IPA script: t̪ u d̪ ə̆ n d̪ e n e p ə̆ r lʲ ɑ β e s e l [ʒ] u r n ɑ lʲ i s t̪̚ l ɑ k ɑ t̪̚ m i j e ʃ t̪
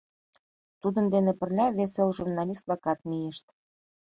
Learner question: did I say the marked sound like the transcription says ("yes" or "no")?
yes